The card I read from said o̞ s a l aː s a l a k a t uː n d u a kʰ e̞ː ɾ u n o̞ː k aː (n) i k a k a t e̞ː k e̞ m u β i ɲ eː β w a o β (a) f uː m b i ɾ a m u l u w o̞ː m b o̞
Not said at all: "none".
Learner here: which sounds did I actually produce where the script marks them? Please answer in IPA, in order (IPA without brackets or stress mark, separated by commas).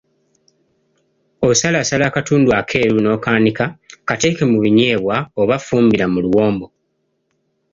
n, a